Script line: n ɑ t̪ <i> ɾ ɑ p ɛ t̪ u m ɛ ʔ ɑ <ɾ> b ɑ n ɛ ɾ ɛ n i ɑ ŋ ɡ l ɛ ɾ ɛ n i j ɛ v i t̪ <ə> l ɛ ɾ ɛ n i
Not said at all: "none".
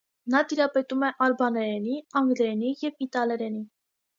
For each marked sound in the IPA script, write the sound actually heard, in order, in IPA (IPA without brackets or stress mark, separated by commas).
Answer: i, ɾ, ɑ